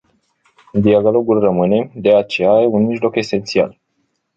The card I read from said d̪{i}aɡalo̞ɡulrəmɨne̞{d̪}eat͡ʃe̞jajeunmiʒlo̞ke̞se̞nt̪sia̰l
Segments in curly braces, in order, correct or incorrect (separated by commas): correct, correct